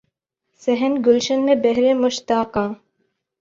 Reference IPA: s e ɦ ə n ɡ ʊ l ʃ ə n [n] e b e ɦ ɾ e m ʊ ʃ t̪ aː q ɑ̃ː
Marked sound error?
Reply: yes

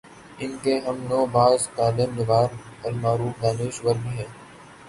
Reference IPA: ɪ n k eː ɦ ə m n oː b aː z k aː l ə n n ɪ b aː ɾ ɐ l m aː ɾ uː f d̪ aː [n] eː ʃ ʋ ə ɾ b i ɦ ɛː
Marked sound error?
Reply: no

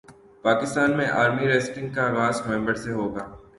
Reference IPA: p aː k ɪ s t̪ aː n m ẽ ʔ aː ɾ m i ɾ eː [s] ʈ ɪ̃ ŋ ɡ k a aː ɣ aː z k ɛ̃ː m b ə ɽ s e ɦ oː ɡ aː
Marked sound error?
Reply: no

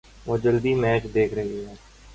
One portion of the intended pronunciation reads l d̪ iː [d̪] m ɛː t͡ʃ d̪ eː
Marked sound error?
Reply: yes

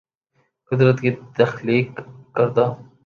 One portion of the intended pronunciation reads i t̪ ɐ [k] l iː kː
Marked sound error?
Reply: yes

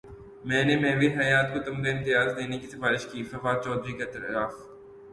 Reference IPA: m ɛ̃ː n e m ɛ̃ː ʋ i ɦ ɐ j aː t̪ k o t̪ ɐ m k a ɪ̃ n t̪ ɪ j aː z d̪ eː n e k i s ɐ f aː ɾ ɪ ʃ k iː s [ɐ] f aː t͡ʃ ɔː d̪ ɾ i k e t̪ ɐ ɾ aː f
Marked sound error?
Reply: no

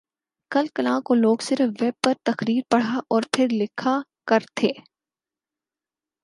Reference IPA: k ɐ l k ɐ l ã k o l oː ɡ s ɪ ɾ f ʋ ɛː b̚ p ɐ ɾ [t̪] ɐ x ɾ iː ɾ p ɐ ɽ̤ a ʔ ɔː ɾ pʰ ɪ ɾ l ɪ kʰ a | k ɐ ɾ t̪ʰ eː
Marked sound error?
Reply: no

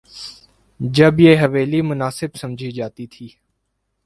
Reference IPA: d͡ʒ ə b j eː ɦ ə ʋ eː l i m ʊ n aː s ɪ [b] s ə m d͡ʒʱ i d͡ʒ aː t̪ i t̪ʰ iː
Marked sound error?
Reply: no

